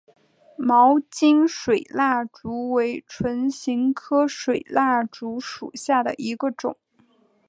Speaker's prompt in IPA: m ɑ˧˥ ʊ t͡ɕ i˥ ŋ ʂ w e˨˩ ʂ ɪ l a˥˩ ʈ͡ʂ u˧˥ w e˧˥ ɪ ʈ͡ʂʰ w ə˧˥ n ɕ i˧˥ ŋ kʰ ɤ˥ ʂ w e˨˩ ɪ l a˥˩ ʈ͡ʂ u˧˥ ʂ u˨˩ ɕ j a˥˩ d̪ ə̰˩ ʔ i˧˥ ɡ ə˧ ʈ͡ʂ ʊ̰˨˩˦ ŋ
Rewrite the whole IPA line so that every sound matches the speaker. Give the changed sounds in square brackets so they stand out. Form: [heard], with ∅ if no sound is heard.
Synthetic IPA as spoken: m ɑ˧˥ ʊ t͡ɕ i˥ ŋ ʂ w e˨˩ [∅] ɪ l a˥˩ ʈ͡ʂ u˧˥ w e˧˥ ɪ ʈ͡ʂʰ w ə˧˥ n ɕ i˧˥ ŋ kʰ ɤ˥ ʂ w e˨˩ ɪ l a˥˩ ʈ͡ʂ u˧˥ ʂ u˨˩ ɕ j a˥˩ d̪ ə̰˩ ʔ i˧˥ ɡ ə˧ ʈ͡ʂ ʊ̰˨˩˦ ŋ